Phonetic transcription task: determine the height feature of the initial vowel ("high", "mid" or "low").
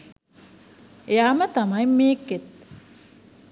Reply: mid